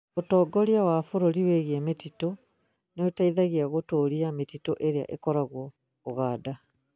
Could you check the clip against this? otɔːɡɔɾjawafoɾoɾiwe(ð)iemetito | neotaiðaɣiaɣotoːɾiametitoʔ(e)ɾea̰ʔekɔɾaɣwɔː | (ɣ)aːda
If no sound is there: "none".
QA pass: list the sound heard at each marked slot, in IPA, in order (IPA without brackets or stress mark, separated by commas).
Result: ɣ, e, ɣ